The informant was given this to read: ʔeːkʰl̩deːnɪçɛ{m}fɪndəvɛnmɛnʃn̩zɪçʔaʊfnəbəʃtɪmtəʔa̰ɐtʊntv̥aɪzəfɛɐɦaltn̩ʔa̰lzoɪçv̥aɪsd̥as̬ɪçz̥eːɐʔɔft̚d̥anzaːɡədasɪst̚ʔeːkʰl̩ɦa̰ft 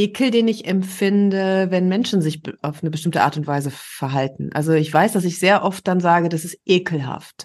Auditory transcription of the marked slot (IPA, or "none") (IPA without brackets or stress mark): m